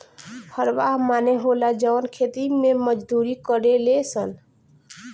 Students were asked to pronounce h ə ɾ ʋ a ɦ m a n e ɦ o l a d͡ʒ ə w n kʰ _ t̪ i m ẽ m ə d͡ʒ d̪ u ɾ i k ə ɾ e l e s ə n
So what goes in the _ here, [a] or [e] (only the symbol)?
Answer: e